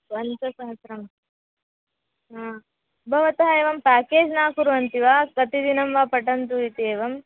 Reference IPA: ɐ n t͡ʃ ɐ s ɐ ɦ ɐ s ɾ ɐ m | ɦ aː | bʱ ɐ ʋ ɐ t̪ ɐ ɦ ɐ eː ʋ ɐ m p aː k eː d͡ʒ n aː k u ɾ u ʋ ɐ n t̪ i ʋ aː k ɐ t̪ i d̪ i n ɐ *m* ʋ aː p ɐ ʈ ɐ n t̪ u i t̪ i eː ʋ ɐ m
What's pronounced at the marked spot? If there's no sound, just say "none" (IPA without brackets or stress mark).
m